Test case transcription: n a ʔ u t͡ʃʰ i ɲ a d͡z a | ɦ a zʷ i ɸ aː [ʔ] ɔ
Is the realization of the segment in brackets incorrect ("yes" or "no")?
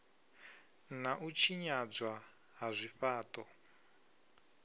yes